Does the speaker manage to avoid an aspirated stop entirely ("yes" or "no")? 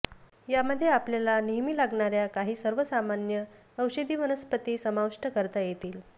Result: yes